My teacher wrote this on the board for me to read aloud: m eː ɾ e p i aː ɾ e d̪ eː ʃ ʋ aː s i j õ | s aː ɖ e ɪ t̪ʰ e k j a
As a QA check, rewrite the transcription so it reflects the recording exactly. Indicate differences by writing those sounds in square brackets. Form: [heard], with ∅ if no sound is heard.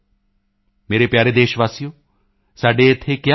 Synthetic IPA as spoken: m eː ɾ e p [j] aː ɾ e d̪ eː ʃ ʋ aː s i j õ | s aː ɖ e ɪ t̪ʰ e k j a

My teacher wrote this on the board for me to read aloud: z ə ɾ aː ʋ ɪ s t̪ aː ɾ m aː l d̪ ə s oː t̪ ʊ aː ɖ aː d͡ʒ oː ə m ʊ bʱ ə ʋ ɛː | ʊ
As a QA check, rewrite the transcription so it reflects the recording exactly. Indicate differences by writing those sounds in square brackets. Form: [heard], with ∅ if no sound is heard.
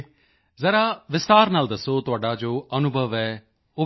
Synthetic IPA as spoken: z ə ɾ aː ʋ ɪ s t̪ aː ɾ [n] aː l d̪ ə s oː t̪ ʊ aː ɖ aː d͡ʒ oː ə [n] ʊ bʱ ə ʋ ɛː | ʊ

